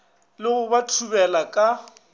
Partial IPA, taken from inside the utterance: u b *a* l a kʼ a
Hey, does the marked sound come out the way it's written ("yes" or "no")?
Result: no